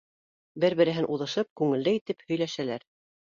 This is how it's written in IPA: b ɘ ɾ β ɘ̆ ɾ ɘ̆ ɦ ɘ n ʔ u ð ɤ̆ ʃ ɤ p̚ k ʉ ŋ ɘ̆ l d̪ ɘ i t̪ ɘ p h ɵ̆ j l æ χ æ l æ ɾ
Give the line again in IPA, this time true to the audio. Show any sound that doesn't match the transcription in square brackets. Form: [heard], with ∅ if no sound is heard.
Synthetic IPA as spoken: b ɘ ɾ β ɘ̆ ɾ ɘ̆ ɦ ɘ n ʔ u ð ɤ̆ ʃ ɤ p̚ k ʉ ŋ ɘ̆ l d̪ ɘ i t̪ ɘ p h ɵ̆ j l æ [ʃ] æ l æ ɾ